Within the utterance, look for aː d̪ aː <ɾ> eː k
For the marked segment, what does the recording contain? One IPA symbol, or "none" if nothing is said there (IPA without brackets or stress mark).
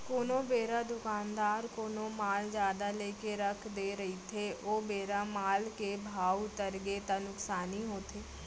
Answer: l